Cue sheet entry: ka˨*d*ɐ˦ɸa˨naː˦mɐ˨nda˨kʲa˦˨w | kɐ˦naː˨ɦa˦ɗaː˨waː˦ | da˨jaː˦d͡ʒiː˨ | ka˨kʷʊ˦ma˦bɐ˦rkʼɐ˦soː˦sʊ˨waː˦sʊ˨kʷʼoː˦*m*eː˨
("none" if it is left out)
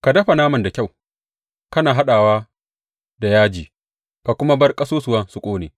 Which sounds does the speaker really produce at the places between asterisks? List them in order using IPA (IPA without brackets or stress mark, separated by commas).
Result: d, n